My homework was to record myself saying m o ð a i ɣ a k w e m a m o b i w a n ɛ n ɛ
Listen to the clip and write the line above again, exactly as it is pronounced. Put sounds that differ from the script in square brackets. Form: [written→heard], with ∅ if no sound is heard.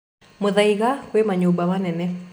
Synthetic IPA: m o ð a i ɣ a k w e m a [m→ɲ] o b [i→a] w a n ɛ n ɛ